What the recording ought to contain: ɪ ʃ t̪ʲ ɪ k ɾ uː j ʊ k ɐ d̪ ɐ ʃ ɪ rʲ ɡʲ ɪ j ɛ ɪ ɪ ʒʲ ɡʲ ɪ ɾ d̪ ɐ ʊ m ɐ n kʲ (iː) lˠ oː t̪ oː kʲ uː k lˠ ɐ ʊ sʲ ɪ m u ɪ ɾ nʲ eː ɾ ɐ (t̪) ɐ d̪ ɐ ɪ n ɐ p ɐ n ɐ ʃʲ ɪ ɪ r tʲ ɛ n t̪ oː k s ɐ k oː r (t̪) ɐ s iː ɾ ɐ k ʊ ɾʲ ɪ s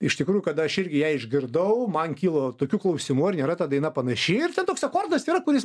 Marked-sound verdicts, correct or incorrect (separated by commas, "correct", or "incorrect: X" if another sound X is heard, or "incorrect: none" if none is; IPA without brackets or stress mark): correct, correct, incorrect: d̪